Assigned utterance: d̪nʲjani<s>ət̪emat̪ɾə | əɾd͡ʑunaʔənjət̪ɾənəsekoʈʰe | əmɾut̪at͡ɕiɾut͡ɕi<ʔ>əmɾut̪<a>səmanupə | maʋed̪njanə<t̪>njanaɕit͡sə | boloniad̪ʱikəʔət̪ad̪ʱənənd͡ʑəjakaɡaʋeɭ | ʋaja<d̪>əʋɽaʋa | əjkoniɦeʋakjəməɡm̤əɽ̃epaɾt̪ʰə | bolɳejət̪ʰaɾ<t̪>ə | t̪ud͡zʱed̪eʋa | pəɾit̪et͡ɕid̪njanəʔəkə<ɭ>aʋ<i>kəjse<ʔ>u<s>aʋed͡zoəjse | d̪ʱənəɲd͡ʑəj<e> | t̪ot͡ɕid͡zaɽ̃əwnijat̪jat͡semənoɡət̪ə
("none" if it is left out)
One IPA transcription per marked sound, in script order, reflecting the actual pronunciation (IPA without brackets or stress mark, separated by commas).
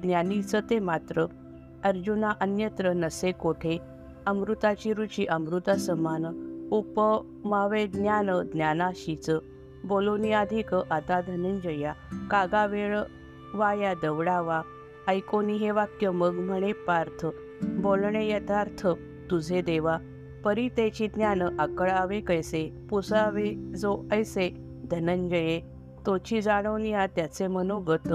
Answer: t͡s, ʔ, a, d̪, d̪, t̪ʰ, ɭ, e, p, s, e